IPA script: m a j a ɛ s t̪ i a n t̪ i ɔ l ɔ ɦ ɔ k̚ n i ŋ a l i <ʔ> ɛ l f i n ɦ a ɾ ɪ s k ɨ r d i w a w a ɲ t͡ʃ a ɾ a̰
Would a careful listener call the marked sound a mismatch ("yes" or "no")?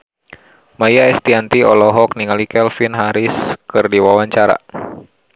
yes